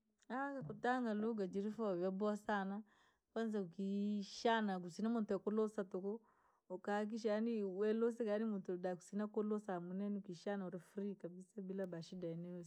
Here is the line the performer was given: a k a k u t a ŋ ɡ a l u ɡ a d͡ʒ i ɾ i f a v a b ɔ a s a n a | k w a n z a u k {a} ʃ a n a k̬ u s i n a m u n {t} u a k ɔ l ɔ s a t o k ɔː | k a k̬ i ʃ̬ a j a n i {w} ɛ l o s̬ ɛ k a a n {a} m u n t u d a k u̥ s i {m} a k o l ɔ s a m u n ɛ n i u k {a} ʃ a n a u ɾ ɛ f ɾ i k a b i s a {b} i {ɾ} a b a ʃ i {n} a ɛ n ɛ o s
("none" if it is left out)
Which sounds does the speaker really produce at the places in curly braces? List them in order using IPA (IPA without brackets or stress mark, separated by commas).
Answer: i, t, w, i, n, i, b, l, d